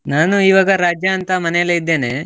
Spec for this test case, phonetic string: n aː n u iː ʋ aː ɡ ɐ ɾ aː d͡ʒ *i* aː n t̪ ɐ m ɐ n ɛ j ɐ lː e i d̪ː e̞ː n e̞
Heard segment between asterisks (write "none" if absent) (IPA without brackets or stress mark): j